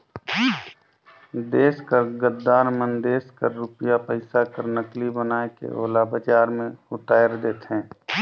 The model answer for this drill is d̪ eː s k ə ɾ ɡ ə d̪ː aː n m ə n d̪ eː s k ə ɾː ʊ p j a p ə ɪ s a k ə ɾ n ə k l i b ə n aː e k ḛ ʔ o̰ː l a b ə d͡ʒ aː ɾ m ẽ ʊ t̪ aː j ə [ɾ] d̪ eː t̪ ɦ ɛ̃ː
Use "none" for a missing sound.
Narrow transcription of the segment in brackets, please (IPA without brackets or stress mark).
ɾ